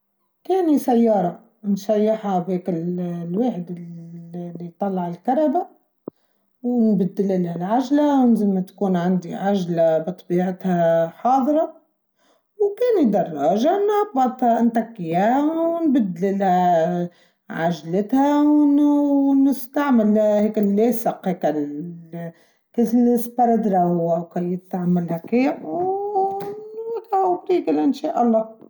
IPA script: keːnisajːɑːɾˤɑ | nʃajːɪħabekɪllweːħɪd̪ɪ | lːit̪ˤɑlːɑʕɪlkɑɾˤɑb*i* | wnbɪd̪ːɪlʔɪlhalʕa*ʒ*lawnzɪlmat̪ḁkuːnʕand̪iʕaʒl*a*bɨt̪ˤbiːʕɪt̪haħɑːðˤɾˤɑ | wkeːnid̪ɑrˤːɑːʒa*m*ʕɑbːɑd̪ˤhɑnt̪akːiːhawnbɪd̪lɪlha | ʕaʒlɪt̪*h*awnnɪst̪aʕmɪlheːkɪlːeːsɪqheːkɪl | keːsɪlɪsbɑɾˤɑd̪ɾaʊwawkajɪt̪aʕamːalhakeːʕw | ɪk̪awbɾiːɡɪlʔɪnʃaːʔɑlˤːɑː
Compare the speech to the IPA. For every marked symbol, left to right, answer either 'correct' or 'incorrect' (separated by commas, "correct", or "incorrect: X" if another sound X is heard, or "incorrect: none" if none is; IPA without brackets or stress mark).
incorrect: a, correct, correct, incorrect: n, correct